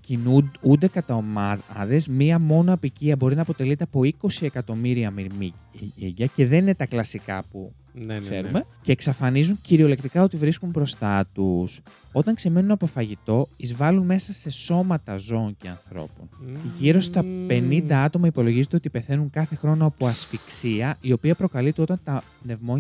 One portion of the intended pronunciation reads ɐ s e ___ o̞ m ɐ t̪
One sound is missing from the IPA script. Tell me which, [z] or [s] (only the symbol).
s